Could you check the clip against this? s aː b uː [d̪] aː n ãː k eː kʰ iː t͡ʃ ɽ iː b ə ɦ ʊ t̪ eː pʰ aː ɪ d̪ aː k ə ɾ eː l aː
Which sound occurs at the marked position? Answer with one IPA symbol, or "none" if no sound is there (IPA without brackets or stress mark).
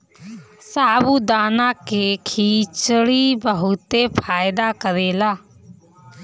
d̪